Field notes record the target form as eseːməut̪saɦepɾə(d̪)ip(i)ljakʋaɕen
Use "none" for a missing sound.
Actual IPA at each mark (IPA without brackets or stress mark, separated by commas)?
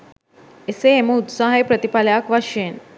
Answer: t̪, a